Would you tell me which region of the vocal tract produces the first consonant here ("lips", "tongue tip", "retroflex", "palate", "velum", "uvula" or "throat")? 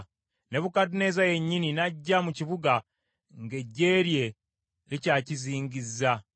tongue tip